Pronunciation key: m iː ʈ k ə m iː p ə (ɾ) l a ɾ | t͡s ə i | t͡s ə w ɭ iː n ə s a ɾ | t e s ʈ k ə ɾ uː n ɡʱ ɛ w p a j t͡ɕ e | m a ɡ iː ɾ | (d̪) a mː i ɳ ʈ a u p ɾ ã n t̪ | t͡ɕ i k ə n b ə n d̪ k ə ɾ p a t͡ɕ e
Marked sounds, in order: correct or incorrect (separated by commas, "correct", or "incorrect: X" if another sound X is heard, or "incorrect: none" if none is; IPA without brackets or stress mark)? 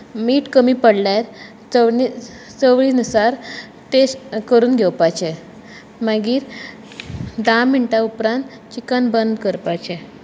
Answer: incorrect: ɽ, correct